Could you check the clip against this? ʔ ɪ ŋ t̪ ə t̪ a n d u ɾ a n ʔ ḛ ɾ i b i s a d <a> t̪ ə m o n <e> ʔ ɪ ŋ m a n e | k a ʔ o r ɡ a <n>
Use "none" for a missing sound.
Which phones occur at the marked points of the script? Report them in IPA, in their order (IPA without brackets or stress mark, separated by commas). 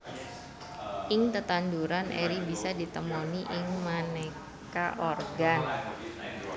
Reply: i, i, n